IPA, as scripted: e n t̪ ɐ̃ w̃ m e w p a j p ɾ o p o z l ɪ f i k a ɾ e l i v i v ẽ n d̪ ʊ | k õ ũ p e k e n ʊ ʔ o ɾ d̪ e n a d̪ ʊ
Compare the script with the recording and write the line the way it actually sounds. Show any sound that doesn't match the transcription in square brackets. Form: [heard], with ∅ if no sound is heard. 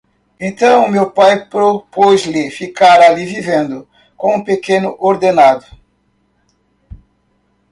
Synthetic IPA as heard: [ẽ] n t̪ ɐ̃ w̃ m e w p a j p ɾ o p o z l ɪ f i k a ɾ [a] l i v i v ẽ n d̪ ʊ | k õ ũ p e k e n ʊ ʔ o ɾ d̪ e n a d̪ ʊ